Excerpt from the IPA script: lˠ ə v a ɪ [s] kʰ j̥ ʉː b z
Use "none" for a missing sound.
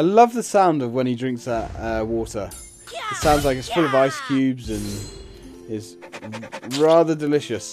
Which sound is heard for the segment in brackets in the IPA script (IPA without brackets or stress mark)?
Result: s